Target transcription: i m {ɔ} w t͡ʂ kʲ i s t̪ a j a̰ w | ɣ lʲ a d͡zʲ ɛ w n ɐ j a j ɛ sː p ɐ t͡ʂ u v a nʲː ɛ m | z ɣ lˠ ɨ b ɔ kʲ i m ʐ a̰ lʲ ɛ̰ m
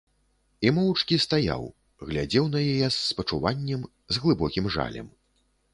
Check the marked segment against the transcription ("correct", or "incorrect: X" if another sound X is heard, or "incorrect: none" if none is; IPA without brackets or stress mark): correct